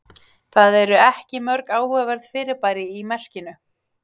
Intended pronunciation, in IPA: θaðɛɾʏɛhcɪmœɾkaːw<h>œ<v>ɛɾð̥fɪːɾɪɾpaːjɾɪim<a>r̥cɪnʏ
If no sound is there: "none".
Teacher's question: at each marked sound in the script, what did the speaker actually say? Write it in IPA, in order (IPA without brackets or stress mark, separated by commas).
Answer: h, v, ɛ